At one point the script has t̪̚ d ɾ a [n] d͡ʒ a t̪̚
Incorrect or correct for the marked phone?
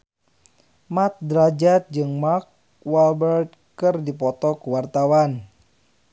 incorrect: none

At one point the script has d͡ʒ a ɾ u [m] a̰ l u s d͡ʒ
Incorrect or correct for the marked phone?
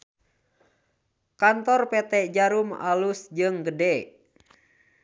correct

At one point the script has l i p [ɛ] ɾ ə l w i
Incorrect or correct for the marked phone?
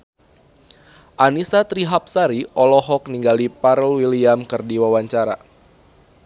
incorrect: a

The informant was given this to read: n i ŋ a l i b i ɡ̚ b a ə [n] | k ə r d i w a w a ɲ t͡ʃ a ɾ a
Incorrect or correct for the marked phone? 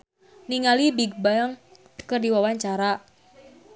incorrect: ŋ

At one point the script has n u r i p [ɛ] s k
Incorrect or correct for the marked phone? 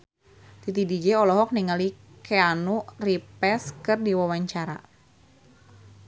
correct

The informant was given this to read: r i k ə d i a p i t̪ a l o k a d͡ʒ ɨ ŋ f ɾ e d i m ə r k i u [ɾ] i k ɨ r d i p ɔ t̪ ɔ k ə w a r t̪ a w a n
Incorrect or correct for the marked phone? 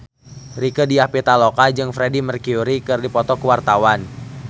correct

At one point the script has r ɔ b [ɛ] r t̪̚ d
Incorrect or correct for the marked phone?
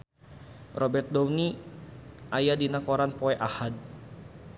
correct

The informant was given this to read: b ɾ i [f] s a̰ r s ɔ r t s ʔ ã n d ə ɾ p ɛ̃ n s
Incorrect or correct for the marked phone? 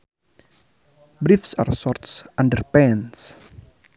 correct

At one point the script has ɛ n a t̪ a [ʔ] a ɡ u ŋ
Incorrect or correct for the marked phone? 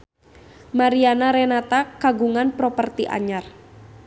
incorrect: k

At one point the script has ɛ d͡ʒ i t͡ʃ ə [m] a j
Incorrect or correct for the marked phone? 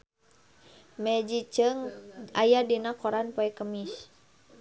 incorrect: ŋ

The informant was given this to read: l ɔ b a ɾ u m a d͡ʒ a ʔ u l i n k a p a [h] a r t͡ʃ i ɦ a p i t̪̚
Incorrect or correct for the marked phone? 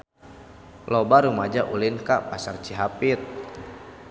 incorrect: s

